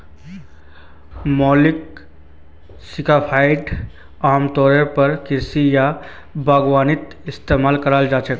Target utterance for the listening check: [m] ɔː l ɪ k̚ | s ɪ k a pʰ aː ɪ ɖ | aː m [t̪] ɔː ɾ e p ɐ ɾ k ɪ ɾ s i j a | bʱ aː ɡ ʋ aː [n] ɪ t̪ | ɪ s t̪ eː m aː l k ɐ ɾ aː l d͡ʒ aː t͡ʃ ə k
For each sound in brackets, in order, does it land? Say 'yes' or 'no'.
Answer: yes, yes, yes

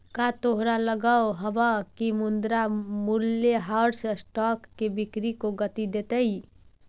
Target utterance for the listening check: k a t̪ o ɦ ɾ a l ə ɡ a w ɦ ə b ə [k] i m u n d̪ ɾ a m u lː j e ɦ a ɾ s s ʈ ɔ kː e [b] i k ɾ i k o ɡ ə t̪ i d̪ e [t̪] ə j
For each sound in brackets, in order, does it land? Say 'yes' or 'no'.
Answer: yes, yes, yes

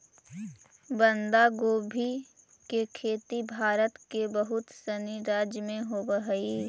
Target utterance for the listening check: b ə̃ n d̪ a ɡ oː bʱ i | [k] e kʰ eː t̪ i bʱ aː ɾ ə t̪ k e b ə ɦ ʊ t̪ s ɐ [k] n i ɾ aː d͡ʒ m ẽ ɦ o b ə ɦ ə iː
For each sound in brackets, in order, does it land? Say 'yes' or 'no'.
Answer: yes, no

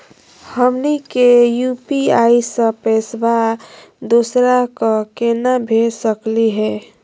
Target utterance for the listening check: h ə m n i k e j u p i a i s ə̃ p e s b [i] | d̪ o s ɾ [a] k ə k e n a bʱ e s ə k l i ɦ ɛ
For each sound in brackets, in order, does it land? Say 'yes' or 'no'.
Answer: no, yes

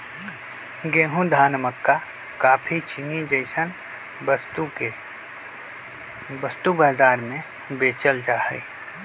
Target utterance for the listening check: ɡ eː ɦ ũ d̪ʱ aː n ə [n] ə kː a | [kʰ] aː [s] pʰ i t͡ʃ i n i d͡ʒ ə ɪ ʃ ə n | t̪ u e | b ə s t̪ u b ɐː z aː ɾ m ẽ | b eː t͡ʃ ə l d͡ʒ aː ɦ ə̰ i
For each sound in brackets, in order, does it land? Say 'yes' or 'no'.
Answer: no, no, no

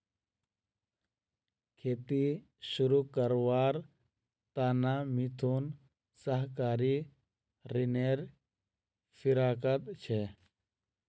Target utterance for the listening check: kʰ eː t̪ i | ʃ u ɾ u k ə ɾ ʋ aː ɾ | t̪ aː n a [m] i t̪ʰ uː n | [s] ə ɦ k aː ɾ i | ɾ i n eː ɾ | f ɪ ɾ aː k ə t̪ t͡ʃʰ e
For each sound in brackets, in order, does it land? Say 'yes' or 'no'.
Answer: yes, yes

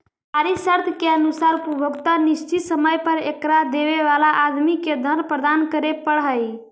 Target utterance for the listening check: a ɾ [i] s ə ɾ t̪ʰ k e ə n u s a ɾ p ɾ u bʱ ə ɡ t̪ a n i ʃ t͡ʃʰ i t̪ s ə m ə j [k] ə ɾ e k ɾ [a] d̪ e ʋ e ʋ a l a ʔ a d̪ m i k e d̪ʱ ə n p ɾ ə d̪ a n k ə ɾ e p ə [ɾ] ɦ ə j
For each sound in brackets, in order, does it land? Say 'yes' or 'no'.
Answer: yes, no, yes, no

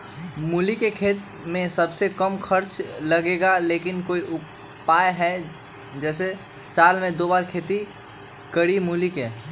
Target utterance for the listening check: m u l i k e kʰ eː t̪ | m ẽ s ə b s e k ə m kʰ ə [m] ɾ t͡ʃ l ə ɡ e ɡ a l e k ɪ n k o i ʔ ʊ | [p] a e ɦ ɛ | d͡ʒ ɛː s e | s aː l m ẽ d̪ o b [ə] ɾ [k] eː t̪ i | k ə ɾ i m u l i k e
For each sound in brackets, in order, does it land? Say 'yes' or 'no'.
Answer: no, yes, no, no

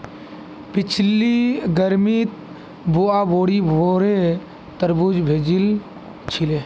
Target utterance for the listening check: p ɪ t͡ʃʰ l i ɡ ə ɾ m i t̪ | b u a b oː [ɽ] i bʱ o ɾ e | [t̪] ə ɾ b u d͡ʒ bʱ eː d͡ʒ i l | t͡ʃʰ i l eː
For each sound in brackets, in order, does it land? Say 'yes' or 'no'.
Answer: yes, yes

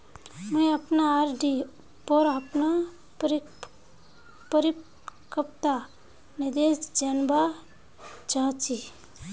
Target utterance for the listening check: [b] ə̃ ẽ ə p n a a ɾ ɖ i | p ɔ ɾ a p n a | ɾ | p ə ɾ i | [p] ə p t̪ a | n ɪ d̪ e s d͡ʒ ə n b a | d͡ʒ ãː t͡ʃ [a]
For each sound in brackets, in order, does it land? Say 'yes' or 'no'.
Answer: no, no, no

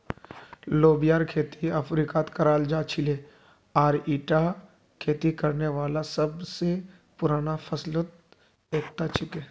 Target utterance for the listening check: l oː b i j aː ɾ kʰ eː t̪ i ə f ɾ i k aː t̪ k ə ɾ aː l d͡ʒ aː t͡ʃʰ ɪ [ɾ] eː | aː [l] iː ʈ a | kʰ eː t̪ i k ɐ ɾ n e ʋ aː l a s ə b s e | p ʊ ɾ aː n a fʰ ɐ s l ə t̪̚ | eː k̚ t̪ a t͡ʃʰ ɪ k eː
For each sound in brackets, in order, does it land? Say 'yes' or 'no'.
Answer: no, no

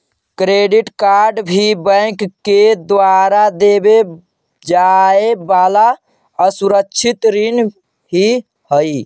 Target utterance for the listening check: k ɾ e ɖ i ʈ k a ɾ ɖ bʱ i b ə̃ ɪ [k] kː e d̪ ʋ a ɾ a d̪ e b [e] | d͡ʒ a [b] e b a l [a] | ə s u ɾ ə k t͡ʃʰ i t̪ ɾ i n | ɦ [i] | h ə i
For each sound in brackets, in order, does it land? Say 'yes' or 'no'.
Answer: yes, yes, no, yes, yes

